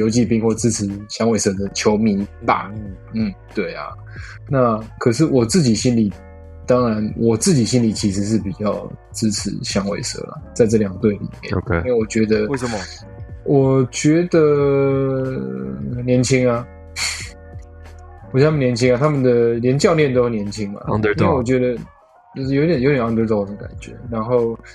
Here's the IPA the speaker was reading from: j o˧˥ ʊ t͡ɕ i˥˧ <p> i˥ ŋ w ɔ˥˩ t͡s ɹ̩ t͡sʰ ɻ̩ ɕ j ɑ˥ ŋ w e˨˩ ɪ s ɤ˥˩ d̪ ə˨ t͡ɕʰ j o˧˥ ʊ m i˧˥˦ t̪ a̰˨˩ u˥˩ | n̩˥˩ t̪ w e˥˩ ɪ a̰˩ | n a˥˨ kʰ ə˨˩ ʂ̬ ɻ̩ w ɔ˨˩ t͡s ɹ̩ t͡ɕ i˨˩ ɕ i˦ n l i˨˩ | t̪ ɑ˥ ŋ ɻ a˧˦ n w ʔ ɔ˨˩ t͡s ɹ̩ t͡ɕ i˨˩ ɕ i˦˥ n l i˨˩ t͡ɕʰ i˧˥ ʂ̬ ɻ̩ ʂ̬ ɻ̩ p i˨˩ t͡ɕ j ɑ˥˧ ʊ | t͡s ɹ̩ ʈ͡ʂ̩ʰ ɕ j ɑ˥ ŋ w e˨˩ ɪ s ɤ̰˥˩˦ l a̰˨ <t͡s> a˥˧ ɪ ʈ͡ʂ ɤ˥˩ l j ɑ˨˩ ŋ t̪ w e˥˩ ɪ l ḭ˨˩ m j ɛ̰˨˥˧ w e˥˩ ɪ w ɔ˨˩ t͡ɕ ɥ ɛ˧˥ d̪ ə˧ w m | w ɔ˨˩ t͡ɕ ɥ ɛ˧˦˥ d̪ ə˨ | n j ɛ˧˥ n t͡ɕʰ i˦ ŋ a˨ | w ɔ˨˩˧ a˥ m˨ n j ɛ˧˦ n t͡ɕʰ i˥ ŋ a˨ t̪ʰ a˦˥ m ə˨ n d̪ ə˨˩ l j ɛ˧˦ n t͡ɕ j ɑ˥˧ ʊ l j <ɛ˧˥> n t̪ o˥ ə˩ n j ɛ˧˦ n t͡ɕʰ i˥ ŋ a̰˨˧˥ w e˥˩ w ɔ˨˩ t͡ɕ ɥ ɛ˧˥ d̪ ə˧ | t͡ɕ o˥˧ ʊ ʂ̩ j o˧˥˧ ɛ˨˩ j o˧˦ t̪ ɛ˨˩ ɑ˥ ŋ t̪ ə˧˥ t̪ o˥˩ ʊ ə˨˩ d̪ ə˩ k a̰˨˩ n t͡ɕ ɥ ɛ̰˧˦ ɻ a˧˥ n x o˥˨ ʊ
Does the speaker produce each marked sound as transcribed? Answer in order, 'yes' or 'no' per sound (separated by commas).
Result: yes, yes, no